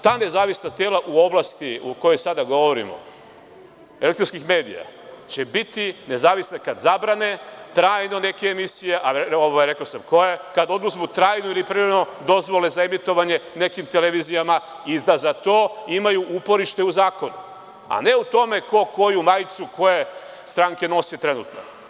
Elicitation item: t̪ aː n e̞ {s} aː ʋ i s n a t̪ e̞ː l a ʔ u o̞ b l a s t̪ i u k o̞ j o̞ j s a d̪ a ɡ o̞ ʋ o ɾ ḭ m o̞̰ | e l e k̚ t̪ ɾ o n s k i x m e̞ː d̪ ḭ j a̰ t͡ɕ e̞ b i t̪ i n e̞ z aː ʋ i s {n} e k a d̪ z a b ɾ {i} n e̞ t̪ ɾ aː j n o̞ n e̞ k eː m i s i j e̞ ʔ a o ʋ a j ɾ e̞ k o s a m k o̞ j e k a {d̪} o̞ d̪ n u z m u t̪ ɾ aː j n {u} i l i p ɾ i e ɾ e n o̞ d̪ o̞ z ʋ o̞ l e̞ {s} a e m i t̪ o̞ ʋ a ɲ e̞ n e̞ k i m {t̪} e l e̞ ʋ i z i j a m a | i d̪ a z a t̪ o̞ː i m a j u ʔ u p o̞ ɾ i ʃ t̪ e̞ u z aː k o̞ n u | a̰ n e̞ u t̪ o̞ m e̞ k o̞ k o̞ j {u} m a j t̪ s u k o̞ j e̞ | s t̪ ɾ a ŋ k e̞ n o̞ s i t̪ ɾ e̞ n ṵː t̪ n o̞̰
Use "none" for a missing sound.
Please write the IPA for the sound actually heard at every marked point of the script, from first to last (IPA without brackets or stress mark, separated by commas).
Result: z, n, a, d̪, o, z, t̪, u